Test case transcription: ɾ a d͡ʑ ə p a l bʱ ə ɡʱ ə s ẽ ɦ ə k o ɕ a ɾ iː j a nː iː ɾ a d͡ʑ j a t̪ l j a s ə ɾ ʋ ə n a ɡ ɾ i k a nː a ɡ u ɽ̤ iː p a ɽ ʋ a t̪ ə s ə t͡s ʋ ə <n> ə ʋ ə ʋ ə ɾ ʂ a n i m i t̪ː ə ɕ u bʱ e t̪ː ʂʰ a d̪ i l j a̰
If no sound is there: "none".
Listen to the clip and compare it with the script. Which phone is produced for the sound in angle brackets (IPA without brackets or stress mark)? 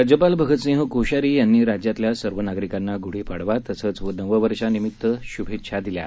n